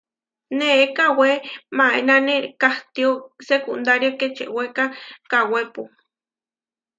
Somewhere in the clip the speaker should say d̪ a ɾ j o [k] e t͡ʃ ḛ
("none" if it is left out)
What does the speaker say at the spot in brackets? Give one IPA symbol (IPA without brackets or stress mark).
k